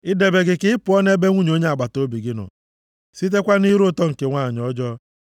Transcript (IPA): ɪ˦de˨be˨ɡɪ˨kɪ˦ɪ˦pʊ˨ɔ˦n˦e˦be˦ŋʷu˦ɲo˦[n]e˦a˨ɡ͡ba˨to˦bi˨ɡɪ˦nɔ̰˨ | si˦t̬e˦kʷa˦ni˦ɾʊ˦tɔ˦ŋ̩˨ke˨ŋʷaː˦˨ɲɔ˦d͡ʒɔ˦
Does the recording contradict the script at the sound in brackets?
yes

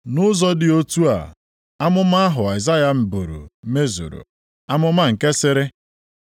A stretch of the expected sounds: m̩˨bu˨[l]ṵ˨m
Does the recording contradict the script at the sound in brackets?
yes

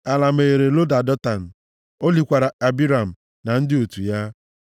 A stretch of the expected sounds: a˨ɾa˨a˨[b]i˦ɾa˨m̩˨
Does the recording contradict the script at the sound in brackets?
no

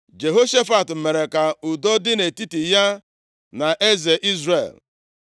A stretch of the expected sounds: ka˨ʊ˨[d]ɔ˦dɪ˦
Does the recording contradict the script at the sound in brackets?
no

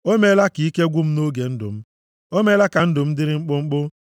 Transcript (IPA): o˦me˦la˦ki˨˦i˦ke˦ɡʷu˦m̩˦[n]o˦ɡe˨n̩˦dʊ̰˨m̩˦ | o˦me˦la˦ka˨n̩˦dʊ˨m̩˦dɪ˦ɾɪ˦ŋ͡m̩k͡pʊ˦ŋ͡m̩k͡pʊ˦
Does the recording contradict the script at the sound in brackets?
no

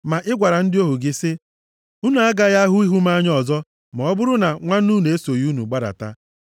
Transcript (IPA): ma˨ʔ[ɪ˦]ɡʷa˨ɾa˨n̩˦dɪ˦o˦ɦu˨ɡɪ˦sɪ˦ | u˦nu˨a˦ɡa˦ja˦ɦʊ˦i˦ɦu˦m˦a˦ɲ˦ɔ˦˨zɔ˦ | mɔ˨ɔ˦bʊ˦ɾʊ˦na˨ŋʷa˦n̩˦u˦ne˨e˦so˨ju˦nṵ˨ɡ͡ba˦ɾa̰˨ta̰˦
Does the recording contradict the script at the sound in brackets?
no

